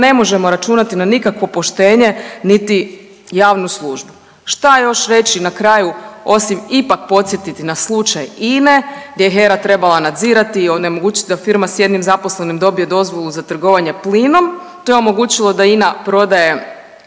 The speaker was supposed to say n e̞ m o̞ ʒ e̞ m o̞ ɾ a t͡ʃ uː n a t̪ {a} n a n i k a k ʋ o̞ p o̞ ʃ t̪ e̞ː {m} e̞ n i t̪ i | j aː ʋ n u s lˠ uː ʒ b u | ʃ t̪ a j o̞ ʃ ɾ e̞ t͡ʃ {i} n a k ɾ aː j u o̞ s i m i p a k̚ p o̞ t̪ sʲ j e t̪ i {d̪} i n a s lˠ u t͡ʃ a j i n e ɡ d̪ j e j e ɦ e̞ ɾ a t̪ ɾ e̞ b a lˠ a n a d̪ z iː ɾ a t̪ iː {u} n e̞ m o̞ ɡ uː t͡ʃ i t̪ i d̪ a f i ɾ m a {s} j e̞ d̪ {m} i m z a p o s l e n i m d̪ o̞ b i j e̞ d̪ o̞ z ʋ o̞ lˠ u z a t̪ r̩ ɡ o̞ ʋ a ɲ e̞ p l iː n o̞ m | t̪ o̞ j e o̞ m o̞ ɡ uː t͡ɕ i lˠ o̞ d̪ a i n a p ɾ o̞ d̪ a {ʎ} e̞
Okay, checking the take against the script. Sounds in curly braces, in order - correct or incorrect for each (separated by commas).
incorrect, incorrect, correct, incorrect, incorrect, correct, incorrect, incorrect